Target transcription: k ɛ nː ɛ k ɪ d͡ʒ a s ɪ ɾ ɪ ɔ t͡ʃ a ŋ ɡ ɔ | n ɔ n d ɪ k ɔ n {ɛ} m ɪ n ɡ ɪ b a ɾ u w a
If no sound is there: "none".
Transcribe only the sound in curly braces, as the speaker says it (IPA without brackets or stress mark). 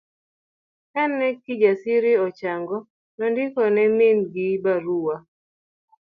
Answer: ɛ